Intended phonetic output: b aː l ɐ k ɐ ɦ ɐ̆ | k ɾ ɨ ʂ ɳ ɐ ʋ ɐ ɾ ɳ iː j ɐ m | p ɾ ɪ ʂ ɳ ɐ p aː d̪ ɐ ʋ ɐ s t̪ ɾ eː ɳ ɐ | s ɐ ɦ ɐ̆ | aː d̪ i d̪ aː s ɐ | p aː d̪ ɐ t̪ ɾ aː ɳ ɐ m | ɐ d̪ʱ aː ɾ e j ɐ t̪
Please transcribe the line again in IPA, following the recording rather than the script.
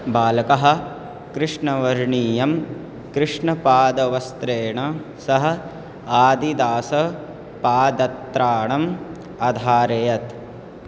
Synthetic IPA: b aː l ɐ k ɐ ɦ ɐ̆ | k ɾ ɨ ʂ ɳ ɐ ʋ ɐ ɾ ɳ iː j ɐ m | k ɾ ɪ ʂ ɳ ɐ p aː d̪ ɐ ʋ ɐ s t̪ ɾ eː ɳ ɐ | s ɐ ɦ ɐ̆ | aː d̪ i d̪ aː s ɐ | p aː d̪ ɐ t̪ ɾ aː ɳ ɐ m | ɐ d̪ʱ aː ɾ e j ɐ t̪